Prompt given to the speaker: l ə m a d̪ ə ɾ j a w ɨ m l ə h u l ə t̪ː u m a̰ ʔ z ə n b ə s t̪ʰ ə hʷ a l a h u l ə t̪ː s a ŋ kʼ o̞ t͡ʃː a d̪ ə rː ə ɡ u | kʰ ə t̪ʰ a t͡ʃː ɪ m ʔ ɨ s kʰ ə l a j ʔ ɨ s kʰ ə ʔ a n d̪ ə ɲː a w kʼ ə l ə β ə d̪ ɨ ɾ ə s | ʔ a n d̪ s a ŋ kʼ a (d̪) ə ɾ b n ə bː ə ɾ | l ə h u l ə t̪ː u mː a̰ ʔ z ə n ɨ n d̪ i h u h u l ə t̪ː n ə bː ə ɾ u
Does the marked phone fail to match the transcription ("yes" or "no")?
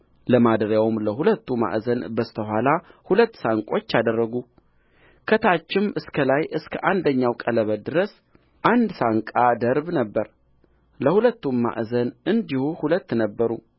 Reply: no